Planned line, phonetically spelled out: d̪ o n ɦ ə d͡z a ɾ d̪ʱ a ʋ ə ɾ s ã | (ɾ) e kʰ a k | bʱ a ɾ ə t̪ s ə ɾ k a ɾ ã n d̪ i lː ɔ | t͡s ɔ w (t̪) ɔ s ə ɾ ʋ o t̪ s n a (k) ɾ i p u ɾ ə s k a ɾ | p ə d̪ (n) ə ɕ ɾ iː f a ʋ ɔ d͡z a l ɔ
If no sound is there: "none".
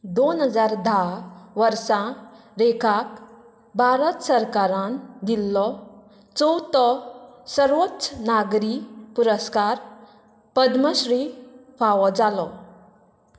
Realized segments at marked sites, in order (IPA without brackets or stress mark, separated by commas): ɾ, t̪, ɡ, m